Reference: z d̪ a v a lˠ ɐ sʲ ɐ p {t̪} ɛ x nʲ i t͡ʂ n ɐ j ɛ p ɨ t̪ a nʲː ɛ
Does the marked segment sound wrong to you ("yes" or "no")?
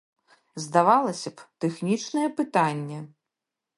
no